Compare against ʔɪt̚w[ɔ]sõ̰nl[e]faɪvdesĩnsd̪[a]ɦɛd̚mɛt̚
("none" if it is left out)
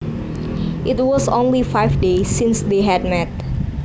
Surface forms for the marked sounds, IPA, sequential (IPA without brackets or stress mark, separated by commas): ɔ, i, e